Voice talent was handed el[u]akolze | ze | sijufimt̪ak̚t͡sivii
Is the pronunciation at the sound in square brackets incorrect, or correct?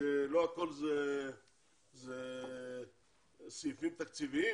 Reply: incorrect